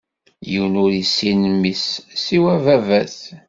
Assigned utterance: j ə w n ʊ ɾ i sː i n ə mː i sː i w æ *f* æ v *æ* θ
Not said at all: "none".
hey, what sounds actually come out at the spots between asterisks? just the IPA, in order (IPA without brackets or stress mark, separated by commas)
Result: v, æ